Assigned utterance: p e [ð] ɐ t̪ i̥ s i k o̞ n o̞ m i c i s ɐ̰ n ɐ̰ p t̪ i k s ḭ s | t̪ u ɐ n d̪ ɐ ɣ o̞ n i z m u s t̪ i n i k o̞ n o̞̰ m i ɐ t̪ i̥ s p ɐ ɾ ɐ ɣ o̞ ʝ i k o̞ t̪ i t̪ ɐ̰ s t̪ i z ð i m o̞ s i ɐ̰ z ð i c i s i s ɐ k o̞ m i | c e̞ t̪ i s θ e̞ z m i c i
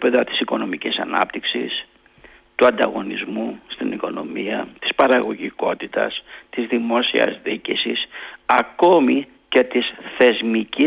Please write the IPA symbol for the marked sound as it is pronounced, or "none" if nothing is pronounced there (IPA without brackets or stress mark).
ð